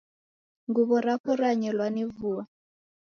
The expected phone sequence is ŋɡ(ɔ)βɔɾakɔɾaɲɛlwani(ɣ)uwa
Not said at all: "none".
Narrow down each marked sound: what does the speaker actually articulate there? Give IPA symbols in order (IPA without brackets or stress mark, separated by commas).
u, v